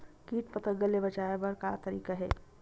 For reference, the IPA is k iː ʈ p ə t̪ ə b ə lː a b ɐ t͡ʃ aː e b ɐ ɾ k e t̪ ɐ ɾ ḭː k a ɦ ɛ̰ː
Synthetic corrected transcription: k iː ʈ p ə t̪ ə ɡ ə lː e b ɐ t͡ʃ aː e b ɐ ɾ k a t̪ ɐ ɾ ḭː k a ɦ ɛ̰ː